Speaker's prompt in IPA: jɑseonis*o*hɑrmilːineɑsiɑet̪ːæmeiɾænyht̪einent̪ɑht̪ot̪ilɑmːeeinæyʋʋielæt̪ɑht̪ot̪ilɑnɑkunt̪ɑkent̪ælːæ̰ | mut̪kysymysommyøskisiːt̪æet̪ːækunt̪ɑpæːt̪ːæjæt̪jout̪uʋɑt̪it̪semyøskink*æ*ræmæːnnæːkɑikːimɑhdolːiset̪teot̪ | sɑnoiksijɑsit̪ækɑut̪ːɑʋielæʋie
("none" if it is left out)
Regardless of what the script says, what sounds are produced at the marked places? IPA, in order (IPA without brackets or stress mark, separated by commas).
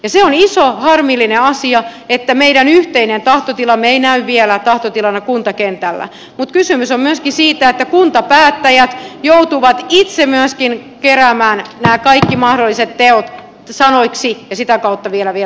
o, e